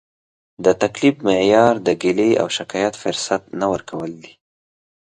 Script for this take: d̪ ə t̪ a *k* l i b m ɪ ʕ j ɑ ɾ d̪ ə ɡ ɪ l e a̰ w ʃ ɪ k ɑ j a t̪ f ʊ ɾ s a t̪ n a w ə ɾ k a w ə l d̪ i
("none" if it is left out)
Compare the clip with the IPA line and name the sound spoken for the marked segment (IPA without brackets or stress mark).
k